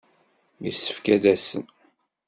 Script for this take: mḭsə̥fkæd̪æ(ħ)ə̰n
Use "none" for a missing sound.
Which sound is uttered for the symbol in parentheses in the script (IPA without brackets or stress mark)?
s